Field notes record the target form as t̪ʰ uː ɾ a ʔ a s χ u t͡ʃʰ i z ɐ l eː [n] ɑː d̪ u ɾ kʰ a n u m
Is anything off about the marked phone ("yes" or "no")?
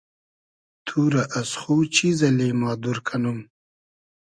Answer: yes